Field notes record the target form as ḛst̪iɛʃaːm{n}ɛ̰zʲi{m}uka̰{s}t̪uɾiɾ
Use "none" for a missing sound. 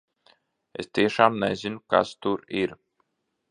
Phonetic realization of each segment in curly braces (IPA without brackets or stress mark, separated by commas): n, n, s